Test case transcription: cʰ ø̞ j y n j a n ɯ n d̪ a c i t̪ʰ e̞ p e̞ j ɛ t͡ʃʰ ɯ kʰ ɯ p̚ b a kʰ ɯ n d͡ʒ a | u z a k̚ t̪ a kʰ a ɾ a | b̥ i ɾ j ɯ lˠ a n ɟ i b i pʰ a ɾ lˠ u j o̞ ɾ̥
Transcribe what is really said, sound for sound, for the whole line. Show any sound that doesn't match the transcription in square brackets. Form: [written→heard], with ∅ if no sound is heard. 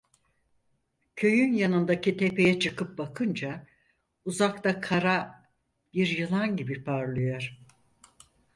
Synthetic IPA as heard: cʰ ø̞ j y n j a n ɯ n d̪ a c i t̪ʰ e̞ p e̞ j ɛ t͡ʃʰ ɯ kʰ ɯ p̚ b a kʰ ɯ n d͡ʒ a | u z a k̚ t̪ a kʰ a ɾ a | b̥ i ɾ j ɯ lˠ a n ɟ i b i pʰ a ɾ lˠ [u→ɯ] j o̞ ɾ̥